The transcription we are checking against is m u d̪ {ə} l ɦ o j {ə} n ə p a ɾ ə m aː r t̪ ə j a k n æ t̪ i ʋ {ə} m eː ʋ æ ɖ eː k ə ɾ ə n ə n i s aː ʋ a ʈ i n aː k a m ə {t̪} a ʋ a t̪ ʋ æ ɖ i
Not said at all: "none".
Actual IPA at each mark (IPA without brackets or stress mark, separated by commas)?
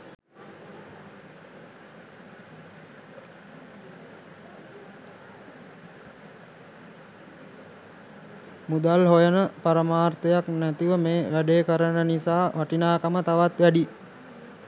a, ə, ə, t̪